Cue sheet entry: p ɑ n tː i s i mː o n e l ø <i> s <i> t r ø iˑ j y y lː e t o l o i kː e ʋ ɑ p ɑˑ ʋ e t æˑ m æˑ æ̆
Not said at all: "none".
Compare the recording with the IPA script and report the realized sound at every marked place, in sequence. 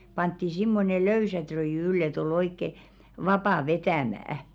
y, æ

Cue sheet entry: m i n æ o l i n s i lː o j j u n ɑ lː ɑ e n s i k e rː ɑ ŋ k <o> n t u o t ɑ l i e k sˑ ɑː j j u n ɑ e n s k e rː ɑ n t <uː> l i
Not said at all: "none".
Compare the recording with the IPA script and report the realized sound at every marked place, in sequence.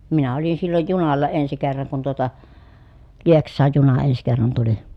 u, u

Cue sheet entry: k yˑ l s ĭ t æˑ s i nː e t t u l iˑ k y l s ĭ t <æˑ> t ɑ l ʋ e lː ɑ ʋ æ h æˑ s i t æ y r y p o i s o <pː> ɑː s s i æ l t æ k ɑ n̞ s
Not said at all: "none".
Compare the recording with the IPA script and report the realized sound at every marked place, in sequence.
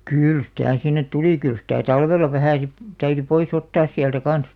æˑ, tː

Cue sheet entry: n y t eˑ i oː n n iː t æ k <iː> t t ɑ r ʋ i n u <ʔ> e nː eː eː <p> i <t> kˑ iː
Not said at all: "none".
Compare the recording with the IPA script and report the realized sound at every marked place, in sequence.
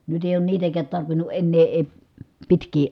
æː, ʔ, p, t

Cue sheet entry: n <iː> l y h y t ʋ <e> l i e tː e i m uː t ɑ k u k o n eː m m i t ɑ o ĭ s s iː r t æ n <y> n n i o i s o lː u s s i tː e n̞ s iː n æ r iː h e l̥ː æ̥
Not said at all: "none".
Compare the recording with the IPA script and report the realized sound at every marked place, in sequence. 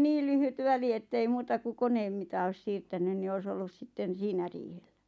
iː, æ, y

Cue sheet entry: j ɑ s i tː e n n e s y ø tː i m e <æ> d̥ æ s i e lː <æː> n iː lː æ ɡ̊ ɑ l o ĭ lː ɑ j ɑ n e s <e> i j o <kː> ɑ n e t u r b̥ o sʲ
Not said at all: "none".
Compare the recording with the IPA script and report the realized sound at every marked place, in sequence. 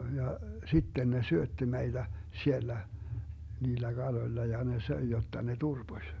i, æ, ø, tː

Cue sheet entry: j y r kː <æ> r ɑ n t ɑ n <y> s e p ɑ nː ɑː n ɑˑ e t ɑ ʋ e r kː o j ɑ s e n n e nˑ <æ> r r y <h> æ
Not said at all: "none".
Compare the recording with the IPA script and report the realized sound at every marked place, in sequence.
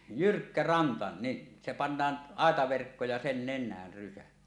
æ, i, æː, s

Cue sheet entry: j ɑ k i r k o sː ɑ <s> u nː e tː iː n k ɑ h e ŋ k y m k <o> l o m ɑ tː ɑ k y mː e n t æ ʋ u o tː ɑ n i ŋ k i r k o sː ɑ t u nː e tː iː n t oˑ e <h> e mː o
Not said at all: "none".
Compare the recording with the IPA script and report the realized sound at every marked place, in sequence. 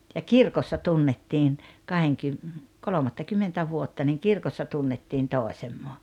t, o, s

